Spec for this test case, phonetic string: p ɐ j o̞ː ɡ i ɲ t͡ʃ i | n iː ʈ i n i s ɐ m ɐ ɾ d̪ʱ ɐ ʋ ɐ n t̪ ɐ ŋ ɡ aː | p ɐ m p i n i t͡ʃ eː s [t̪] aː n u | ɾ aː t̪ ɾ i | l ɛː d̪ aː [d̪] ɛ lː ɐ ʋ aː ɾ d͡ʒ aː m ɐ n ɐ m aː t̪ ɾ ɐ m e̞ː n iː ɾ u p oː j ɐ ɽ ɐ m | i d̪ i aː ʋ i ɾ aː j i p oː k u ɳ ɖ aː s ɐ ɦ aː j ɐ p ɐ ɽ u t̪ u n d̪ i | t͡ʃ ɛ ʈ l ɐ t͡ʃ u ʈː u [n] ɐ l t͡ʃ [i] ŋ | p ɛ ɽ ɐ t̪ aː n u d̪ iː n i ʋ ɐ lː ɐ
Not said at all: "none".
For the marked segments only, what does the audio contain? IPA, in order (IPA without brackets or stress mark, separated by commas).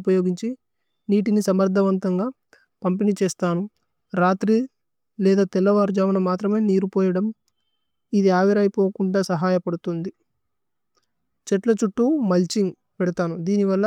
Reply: t̪, t̪, m, i